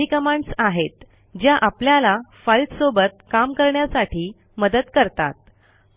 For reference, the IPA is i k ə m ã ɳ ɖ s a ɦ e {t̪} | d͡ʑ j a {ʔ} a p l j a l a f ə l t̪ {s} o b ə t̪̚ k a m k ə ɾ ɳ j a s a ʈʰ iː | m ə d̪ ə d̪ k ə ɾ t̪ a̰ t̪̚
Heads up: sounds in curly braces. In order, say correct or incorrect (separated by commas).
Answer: correct, correct, correct